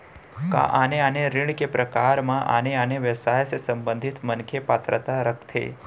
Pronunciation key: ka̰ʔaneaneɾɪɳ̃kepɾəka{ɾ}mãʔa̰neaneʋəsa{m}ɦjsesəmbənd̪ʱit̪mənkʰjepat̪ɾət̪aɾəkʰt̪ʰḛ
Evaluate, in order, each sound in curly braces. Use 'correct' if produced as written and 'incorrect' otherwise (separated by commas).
correct, incorrect